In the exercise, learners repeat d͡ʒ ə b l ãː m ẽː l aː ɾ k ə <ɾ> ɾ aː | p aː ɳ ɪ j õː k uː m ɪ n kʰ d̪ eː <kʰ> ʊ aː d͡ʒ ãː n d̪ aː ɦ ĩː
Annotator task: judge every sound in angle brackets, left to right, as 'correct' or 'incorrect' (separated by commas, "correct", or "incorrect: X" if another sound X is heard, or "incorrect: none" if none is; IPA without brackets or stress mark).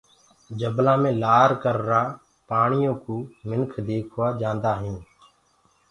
correct, correct